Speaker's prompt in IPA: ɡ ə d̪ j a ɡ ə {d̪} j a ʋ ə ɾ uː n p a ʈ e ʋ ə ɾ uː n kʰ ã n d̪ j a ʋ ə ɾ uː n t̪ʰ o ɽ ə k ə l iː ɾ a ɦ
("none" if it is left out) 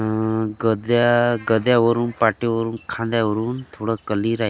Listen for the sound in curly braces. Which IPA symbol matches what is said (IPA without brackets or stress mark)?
d̪